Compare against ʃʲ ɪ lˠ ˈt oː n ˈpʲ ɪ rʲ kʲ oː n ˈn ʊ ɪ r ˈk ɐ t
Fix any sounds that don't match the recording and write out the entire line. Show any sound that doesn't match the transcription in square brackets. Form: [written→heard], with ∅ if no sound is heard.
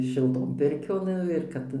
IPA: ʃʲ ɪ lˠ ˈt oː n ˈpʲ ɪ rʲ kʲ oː n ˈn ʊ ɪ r ˈk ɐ t